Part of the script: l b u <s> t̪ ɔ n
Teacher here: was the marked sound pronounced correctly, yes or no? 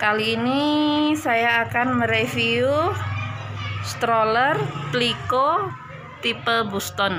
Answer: yes